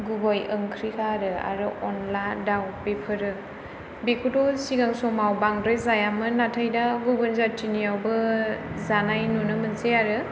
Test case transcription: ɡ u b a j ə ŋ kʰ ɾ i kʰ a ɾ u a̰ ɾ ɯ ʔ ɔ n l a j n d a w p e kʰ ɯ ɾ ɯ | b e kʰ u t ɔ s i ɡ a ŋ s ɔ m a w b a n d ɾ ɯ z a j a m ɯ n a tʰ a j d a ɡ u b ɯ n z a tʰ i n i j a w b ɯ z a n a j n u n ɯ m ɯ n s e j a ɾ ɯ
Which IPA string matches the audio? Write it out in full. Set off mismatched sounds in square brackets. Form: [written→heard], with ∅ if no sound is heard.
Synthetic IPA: ɡ u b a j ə ŋ kʰ ɾ i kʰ a ɾ [u→ɯ] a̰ ɾ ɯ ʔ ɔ n l a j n d a w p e [kʰ→pʰ] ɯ ɾ ɯ | b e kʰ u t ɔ s i ɡ a ŋ s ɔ m a w b a [n→ŋ] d ɾ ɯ z a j a m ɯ n a tʰ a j d a ɡ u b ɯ n z a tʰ i n i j a w b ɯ z a n a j n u n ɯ m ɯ n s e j a ɾ ɯ